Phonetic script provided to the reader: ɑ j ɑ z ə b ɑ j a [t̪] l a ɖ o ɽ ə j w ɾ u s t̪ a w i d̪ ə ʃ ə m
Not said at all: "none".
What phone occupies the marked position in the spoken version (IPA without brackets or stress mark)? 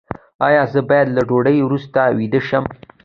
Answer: d̪